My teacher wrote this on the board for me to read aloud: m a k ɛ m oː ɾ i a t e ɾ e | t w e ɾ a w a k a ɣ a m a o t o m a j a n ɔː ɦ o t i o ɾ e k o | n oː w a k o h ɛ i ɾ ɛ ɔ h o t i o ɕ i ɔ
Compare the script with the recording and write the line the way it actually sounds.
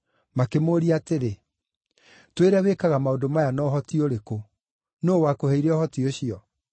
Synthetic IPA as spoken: m a k e m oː ɾ i a t e ɾ e | t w e ɾ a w e k a ɣ a m a o d o m a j a n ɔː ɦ ɔ t i o ɾ e k o | n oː w a k o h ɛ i ɾ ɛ ɔ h ɔ t i o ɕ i ɔ

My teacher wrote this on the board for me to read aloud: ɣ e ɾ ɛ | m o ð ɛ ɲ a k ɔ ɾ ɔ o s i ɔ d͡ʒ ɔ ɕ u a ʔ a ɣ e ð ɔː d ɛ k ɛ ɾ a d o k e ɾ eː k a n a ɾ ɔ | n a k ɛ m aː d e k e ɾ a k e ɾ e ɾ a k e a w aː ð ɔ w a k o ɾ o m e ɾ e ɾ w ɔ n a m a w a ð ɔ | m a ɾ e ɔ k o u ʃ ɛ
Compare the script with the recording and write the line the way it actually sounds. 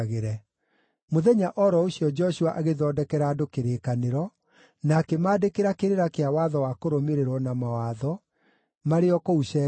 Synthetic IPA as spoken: ɣ e ɾ ɛ | m o ð ɛ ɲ a ʔ ɔ ɾ ɔ o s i ɔ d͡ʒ ɔ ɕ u a ʔ a ɣ e ð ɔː d ɛ k ɛ ɾ a d o k e ɾ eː k a n e ɾ ɔ | n a k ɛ m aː d e k e ɾ a k e ɾ e ɾ a k e a w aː ð ɔ w a k o ɾ o m e ɾ e ɾ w ɔ n a m a w a ð ɔ | m a ɾ e ɔ k o u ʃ ɛ

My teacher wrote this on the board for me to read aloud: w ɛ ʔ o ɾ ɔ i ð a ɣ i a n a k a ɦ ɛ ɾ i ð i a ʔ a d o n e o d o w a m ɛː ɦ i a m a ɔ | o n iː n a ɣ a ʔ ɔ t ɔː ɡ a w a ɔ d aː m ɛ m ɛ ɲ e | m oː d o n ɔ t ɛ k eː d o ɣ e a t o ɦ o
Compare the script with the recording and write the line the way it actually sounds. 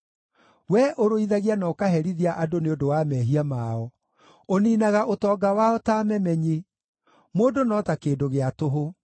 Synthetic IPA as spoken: w ɛ ʔ o ɾ o i ð a ɣ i a n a k a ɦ ɛ ɾ i ð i a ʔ a d o n e o d o w a m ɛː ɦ i a m a ɔ | o n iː n a ɣ a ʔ o t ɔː ɡ a w a ɔ t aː m ɛ m ɛ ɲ e | m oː d o n ɔ t a k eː d o ɣ e a t o ɦ o

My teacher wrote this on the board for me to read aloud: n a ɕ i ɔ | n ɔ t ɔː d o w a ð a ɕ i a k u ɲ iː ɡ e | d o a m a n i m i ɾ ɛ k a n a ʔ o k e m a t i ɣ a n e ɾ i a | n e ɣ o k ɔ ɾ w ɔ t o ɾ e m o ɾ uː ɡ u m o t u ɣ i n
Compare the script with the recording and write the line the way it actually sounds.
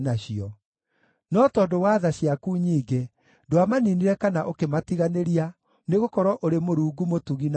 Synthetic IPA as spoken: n a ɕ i ɔ | n ɔ t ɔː d o w a ð a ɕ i a k u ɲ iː ɡ e | d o a m a n i n i ɾ ɛ k a n a ʔ o k e m a t i ɣ a n e ɾ i a | n e ɣ o k ɔ ɾ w ɔ ʔ o ɾ e m o ɾ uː ɡ u m o t u ɣ i n

